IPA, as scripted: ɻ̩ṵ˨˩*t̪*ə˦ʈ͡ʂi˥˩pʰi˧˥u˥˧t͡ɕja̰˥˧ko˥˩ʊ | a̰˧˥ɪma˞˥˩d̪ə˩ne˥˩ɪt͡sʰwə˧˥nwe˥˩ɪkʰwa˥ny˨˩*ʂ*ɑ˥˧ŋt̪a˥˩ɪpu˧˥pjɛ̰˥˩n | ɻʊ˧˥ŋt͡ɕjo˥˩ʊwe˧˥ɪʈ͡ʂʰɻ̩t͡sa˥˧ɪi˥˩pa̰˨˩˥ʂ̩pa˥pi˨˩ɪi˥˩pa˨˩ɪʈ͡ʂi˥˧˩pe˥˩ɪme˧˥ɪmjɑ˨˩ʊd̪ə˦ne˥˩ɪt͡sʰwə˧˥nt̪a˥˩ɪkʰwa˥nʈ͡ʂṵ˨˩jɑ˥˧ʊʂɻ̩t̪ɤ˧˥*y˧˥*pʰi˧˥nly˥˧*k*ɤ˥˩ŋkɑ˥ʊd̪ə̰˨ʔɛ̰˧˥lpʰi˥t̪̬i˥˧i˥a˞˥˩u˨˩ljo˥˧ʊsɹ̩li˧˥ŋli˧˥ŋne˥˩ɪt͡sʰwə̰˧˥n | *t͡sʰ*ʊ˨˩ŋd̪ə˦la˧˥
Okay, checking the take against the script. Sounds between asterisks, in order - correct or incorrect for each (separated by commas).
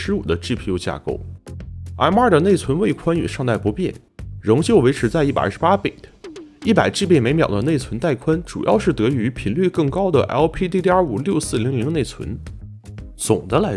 incorrect, correct, correct, correct, incorrect